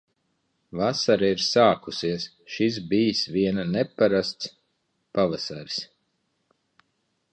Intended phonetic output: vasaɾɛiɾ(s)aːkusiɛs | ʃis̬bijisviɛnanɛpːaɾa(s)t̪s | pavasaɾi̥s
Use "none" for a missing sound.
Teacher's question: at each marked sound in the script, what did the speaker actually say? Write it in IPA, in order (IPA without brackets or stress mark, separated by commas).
s, s